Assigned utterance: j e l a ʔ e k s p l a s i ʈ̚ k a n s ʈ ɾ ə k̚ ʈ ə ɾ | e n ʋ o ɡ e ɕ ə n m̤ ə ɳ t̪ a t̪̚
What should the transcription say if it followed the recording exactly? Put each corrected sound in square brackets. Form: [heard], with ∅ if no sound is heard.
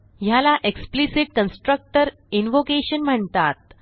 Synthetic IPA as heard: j [a] l a ʔ e k s p l [i] s i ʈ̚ k [ə] n s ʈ ɾ ə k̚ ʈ ə ɾ | [i] n ʋ o [k] e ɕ ə n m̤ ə ɳ t̪ a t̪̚